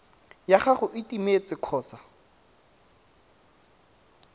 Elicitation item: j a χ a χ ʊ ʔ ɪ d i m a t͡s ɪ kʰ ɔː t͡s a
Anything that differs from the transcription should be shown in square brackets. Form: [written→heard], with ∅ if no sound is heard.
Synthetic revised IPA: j a χ a χ ʊ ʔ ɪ [d→t] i m [a→e] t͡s ɪ kʰ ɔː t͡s a